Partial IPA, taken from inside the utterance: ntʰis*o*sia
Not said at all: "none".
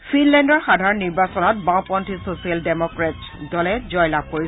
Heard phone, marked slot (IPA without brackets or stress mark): o